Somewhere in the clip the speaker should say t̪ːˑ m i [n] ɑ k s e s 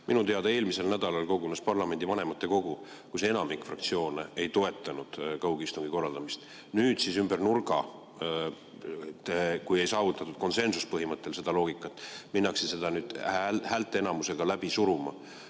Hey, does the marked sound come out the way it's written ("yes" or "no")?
no